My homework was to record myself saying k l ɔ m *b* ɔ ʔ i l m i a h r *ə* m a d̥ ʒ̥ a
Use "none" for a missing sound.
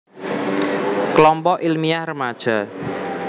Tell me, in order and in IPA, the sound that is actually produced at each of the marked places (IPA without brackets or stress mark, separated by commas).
p, ə